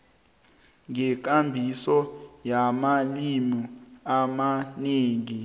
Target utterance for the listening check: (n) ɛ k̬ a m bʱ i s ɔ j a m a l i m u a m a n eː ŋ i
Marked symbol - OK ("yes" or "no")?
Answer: no